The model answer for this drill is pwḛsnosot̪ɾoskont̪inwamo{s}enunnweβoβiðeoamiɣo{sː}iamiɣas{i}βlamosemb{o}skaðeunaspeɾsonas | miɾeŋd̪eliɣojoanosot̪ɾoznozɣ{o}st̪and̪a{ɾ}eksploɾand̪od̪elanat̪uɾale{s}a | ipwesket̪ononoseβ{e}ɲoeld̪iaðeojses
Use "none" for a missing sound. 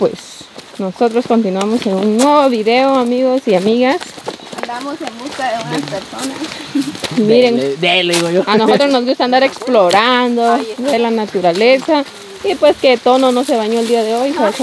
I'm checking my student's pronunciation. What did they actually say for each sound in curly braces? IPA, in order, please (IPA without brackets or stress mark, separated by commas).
s, s, a, u, u, ɾ, s, a